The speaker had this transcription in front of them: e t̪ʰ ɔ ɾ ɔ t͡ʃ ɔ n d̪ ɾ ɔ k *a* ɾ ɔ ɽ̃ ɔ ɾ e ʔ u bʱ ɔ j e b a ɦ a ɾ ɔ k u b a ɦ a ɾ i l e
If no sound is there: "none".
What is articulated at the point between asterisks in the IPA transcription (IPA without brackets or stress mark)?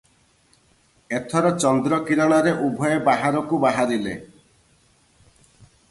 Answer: i